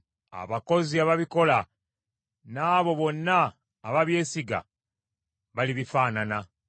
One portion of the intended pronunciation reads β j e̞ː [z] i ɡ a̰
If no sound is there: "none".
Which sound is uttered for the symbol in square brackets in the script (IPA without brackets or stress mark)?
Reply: s